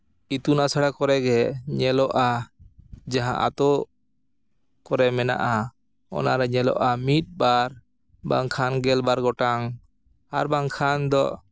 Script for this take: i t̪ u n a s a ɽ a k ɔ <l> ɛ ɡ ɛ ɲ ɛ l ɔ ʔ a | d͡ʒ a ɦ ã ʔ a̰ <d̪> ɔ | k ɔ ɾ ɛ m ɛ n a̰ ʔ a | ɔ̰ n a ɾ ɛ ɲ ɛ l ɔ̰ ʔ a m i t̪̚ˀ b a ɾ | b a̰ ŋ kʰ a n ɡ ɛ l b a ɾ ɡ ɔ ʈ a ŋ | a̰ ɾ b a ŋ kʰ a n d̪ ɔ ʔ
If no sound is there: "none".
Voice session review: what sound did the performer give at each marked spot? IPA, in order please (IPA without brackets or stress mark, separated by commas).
ɾ, t̪